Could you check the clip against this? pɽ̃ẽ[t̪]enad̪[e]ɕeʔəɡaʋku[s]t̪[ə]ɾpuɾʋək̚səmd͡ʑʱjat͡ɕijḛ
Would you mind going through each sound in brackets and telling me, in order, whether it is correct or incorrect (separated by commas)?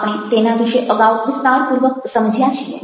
correct, incorrect, correct, incorrect